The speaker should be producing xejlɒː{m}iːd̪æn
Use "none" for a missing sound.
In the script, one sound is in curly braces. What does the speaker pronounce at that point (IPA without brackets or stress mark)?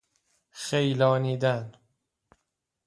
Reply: n